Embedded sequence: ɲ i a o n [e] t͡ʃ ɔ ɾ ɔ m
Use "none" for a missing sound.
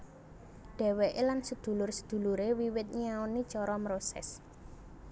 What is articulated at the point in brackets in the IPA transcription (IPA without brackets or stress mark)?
i